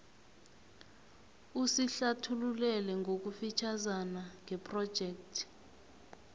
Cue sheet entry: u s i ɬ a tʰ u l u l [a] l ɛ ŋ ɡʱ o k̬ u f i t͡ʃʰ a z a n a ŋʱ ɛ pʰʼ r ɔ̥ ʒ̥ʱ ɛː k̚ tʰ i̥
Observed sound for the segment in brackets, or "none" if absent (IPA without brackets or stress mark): ɛ